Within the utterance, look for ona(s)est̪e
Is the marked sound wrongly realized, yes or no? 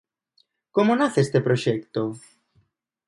yes